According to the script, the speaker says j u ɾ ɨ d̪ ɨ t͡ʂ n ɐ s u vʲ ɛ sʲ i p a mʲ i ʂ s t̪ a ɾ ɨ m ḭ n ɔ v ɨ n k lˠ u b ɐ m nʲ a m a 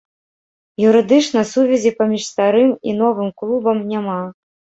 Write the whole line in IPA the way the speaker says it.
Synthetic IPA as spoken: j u ɾ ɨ d̪ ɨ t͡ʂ n ɐ s u vʲ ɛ zʲ i p a mʲ i ʂ s t̪ a ɾ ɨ m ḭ n ɔ v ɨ m k lˠ u b ɐ m nʲ a m a